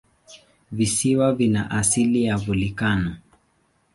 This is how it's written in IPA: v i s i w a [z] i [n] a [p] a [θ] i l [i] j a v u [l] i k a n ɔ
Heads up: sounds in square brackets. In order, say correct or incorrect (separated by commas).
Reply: incorrect, correct, incorrect, incorrect, correct, correct